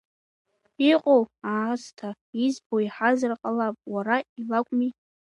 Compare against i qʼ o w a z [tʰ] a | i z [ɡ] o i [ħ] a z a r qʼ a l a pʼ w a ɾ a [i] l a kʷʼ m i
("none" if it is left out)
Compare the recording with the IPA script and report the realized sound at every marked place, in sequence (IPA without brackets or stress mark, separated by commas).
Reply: tʰ, b, ħ, i